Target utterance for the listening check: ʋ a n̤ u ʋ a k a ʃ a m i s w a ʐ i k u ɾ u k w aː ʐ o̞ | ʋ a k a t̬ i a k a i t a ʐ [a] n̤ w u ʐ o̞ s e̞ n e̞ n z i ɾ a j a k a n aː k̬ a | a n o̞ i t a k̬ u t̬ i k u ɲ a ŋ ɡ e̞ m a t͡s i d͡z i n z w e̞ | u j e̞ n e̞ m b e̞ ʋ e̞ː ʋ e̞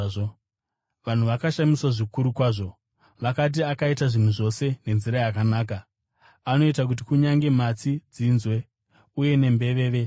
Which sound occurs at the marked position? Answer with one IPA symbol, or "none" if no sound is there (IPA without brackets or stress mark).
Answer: i